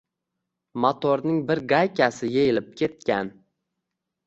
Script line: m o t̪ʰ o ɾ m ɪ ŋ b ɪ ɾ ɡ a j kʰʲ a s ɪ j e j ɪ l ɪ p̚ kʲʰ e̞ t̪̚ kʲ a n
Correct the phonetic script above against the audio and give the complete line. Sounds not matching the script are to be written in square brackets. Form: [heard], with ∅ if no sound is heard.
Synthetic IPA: m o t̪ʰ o ɾ [n] ɪ ŋ b ɪ ɾ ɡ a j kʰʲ a s ɪ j e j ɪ l ɪ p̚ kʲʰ e̞ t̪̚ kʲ a n